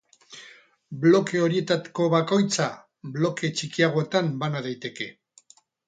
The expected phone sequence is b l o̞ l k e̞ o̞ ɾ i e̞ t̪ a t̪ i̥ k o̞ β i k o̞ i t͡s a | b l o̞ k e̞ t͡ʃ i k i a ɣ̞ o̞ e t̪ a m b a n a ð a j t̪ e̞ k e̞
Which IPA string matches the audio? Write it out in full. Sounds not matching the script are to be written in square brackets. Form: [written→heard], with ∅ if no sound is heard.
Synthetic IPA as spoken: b l o̞ [l→∅] k e̞ o̞ ɾ i e̞ t̪ a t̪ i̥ k o̞ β [i→a] k o̞ [i→j] t͡s a | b l o̞ k e̞ t͡ʃ i k i a ɣ̞ o̞ e t̪ a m b a n a ð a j t̪ e̞ k e̞